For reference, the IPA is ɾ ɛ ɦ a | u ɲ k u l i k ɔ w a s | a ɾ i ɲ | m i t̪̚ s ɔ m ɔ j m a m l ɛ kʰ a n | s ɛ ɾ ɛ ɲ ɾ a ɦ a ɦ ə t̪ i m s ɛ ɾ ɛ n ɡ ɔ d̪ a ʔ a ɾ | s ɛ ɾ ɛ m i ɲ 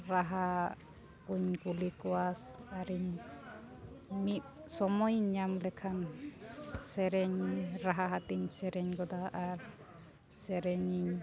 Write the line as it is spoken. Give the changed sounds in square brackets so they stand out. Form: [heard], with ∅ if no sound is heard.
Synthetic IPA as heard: ɾ [a] ɦ a | u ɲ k u l i k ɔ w a s | a ɾ i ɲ | m i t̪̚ s ɔ m ɔ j [ɲ] a m l ɛ kʰ a n | s ɛ ɾ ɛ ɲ ɾ a ɦ a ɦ [a] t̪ i [ɲ] s ɛ ɾ ɛ [ɲ] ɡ ɔ d̪ a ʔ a ɾ | s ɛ ɾ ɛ [ɲ] i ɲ